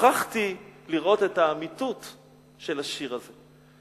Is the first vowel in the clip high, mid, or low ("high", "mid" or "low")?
low